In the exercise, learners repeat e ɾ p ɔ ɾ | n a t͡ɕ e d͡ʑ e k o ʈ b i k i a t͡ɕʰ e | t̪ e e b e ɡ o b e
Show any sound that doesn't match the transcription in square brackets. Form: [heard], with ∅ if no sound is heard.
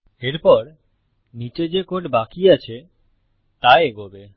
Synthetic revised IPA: e ɾ p ɔ ɾ | n [i] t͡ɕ e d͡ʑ e k o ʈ b [a] k i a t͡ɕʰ e | t̪ [a] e [∅] e ɡ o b e